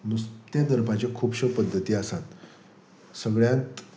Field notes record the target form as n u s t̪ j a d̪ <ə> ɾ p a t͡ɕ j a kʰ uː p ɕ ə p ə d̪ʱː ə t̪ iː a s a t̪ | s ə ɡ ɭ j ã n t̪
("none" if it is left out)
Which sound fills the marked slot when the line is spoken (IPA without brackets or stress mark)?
ə